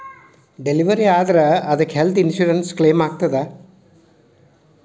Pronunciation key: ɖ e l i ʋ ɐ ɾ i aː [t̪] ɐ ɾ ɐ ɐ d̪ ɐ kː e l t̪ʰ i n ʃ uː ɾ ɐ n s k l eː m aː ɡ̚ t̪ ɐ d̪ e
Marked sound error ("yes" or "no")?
yes